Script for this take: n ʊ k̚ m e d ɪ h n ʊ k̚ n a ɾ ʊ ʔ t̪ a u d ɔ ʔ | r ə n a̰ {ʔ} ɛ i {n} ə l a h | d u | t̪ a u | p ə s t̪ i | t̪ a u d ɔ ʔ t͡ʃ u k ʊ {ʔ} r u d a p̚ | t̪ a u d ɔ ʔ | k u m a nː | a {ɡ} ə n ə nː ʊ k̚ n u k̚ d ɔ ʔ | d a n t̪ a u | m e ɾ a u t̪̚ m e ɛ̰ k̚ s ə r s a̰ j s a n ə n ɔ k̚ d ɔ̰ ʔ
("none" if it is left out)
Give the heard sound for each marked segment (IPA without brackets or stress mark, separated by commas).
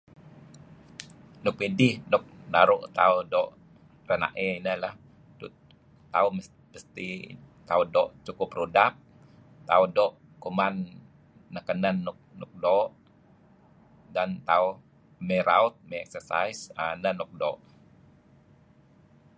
ʔ, n, p, k